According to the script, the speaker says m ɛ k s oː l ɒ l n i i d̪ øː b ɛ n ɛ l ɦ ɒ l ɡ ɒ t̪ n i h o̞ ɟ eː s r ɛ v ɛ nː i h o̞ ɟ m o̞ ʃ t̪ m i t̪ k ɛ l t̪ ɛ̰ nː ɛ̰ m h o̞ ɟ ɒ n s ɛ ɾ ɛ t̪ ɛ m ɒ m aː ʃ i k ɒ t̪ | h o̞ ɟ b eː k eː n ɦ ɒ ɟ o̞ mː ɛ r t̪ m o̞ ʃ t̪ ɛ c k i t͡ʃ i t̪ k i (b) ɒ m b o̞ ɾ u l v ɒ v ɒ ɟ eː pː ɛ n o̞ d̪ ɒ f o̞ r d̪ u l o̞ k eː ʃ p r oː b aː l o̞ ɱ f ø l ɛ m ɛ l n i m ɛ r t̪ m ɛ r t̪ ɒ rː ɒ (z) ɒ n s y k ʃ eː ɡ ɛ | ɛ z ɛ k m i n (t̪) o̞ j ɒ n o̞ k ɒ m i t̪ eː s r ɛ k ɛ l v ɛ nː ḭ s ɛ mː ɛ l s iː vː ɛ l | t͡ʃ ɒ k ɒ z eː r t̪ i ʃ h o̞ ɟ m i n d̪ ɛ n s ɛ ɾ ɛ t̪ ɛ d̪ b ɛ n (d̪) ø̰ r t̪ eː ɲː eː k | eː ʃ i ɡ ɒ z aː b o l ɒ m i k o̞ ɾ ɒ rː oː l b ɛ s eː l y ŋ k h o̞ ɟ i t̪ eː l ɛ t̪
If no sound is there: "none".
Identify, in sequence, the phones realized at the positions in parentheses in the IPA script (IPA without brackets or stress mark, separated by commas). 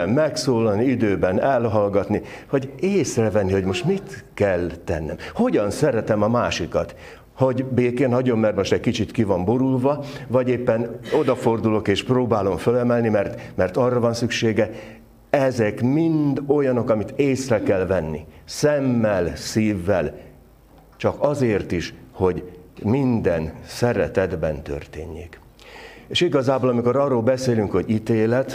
v, v, d̪, t̪